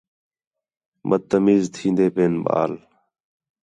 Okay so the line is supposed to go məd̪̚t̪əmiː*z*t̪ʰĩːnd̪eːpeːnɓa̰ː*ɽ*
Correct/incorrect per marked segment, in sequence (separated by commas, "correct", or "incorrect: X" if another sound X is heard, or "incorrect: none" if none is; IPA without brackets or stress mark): correct, incorrect: l